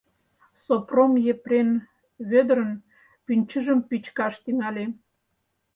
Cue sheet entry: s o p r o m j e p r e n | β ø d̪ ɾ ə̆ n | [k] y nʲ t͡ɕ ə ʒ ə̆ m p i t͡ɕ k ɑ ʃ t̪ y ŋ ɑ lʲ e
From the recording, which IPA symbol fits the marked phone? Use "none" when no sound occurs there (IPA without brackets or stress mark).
p